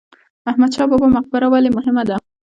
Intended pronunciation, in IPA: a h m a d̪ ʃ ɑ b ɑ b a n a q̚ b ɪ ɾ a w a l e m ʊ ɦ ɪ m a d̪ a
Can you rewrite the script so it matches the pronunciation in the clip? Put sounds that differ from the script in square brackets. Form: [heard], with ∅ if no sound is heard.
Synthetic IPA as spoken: a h m a d̪ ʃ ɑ b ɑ b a [m] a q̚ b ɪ ɾ a w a l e m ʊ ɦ ɪ m a d̪ a